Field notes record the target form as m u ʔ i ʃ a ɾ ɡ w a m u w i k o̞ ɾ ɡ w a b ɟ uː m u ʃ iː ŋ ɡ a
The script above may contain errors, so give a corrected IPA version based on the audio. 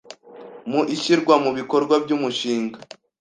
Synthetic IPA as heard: m u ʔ i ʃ i ɾ ɡ w a m u β i k o̞ ɾ ɡ w a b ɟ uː m u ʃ iː ŋ ɡ a